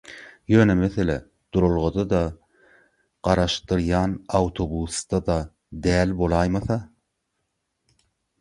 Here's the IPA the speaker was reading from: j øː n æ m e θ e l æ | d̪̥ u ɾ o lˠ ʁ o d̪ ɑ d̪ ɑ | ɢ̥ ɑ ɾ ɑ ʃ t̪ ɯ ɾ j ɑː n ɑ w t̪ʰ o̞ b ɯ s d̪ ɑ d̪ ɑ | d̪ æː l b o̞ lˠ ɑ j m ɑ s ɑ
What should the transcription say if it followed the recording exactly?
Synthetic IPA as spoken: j øː n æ m e θ e l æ | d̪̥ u ɾ o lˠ ʁ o d̪ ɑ d̪ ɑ | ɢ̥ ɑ ɾ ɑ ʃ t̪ ɯ ɾ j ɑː n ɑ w t̪ʰ o̞ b u s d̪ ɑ d̪ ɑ | d̪ æː l b o̞ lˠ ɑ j m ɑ θ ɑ